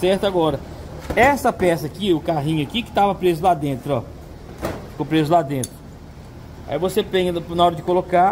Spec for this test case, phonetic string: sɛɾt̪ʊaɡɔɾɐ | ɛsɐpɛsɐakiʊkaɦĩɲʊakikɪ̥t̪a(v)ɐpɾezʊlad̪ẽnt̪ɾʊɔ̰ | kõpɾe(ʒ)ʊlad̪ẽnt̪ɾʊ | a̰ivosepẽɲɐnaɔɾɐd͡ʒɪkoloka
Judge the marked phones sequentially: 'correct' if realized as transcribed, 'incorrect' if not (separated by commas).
correct, incorrect